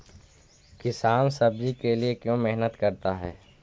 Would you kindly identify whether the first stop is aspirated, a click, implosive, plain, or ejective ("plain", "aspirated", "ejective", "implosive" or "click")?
plain